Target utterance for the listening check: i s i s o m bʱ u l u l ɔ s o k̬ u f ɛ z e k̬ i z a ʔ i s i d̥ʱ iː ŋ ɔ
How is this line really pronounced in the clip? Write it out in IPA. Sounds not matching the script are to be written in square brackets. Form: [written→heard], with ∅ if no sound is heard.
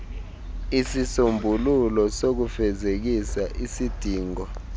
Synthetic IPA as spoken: i s i s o m bʱ u l u l ɔ s o k̬ u f ɛ z e k̬ i [z→s] a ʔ i s i d̥ʱ iː ŋ ɔ